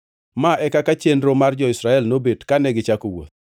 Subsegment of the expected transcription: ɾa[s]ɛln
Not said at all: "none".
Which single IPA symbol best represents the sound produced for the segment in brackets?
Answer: none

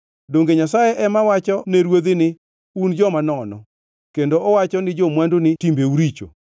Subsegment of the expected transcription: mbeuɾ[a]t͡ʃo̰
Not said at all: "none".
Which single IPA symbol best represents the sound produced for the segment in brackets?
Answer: i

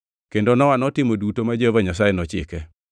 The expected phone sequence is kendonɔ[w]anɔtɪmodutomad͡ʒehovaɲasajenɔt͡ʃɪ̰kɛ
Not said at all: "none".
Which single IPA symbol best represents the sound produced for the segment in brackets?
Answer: w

